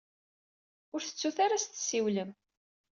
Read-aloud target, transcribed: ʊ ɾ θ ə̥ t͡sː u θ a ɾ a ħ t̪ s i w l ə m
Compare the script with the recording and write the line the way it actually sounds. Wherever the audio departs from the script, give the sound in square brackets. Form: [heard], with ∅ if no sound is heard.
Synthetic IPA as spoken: ʊ ɾ θ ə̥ t͡sː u θ a ɾ a [s] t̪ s i w l ə m